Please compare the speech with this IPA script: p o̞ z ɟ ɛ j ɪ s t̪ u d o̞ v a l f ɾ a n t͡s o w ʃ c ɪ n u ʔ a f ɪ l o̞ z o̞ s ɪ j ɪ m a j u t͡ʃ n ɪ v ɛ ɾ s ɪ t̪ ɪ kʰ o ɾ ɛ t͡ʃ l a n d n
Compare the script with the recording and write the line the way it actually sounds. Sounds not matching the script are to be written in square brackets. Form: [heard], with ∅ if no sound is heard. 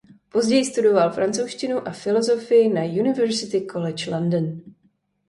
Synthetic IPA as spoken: p o̞ z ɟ ɛ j ɪ s t̪ u d o̞ v a l f ɾ a n t͡s o w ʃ c ɪ n u ʔ a f ɪ l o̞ z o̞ [f] ɪ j ɪ [n] a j u [∅] n ɪ v ɛ ɾ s ɪ t̪ ɪ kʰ o [l] ɛ t͡ʃ l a n d n

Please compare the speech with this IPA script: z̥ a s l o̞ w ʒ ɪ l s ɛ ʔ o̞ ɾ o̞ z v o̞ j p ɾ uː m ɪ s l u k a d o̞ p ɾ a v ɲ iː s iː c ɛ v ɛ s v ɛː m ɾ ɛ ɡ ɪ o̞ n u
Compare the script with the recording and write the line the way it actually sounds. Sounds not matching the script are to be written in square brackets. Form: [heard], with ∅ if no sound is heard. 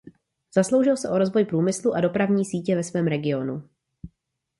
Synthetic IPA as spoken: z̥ a s l o̞ w ʒ ɪ l s ɛ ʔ o̞ ɾ o̞ z v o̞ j p ɾ uː m ɪ s l u [ʔ] a d o̞ p ɾ a v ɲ iː s iː c ɛ v ɛ s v ɛː m ɾ ɛ ɡ ɪ o̞ n u

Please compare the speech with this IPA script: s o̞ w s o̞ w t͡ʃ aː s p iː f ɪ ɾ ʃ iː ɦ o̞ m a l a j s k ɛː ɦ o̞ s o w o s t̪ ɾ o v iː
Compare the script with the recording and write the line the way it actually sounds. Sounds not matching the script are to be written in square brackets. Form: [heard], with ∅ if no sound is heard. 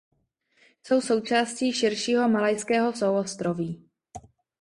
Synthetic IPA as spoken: s o̞ w s o̞ w t͡ʃ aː s [c] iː [ʃ] ɪ ɾ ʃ iː ɦ o̞ m a l a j s k ɛː ɦ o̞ s o w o s t̪ ɾ o v iː

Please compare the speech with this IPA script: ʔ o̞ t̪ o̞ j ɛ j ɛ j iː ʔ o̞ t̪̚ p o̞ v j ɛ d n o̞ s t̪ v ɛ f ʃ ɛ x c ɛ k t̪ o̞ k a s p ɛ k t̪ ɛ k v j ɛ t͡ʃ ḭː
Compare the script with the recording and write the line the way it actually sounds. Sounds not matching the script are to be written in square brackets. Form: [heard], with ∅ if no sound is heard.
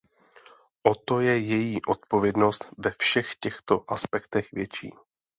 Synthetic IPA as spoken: ʔ o̞ t̪ o̞ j ɛ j ɛ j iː ʔ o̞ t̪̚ p o̞ v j ɛ d n o̞ s t̪ v ɛ f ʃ ɛ x c ɛ [x] t̪ o̞ [ʔ] a s p ɛ k t̪ ɛ [x] v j ɛ t͡ʃ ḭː

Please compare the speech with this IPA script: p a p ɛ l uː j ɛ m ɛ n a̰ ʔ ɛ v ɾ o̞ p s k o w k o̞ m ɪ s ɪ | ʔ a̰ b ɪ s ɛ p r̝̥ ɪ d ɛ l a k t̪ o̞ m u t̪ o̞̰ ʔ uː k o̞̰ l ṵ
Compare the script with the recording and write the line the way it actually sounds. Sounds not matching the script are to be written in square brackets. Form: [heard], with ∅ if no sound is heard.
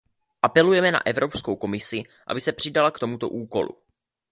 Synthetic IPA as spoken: [ʔ] a p ɛ l [u] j ɛ m ɛ n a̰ ʔ ɛ v ɾ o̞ p s k o w k o̞ m ɪ s ɪ | ʔ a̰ b ɪ s ɛ p r̝̥ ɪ d [a] l a k t̪ o̞ m u t̪ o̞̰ ʔ uː k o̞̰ l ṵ

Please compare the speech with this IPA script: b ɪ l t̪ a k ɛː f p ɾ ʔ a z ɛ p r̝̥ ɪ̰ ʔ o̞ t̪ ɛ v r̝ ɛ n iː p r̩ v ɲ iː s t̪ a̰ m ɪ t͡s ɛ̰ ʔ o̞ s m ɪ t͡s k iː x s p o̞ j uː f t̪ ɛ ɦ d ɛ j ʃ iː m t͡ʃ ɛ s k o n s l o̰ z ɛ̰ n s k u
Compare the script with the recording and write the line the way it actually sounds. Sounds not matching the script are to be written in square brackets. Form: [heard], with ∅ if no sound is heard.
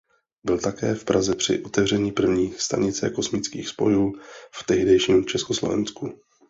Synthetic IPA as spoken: b ɪ l t̪ a k ɛː f p ɾ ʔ a z ɛ p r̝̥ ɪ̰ ʔ o̞ t̪ ɛ v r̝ ɛ [ɲ] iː p r̩ v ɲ iː s t̪ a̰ [ɲ] ɪ t͡s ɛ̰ [k] o̞ s m ɪ t͡s k iː x s p o̞ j uː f t̪ ɛ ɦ d ɛ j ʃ iː m t͡ʃ ɛ s k o [∅] s l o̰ [v] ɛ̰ n s k u

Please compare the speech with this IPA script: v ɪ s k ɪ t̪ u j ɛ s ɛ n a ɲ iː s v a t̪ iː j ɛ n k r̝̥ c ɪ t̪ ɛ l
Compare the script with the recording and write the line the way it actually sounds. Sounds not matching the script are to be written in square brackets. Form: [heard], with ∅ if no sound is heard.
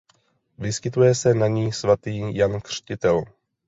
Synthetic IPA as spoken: v ɪ s k ɪ t̪ u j ɛ s ɛ n a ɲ iː s v a t̪ iː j [a] n k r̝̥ c ɪ t̪ ɛ l

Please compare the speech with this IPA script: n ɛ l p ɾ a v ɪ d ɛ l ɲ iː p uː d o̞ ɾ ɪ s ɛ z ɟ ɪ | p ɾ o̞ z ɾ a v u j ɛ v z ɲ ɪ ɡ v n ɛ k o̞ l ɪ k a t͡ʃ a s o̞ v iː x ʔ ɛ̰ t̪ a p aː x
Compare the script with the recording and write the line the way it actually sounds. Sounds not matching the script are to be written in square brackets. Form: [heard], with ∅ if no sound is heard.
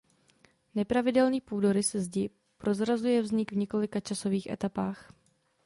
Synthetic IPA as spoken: n ɛ [∅] p ɾ a v ɪ d ɛ l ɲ iː p uː d o̞ ɾ ɪ s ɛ z ɟ ɪ | p ɾ o̞ z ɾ a [z] u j ɛ v z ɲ ɪ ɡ v [ɲ] ɛ k o̞ l ɪ k a t͡ʃ a s o̞ v iː x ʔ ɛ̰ t̪ a p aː x

